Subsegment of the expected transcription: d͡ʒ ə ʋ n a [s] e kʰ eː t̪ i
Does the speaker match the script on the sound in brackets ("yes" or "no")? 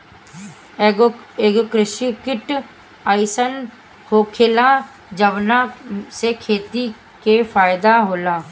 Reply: yes